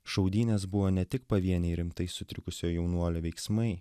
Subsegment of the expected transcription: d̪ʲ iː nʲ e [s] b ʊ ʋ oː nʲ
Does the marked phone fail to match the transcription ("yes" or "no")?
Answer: no